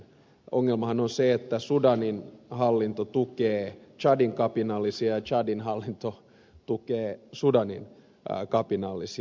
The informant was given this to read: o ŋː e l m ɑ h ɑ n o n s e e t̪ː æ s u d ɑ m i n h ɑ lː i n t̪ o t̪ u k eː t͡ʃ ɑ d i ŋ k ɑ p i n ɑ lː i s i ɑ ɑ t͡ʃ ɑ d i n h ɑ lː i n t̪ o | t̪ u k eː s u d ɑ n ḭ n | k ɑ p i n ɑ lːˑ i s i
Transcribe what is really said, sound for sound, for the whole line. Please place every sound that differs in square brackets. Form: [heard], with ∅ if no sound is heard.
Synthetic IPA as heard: o ŋː e l m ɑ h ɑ n o n s e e t̪ː æ s u d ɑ [n] i n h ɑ lː i n t̪ o t̪ u k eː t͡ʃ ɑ d i ŋ k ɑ p i n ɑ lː i s i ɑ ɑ t͡ʃ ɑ d i n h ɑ lː i n t̪ o | t̪ u k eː s u d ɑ n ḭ n | k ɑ p i n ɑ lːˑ i s i